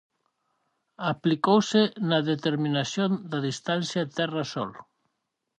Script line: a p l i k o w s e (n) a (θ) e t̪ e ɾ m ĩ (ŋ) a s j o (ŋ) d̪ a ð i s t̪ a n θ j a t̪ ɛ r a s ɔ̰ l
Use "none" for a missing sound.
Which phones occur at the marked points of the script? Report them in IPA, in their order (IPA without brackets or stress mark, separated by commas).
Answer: n, ð, n, n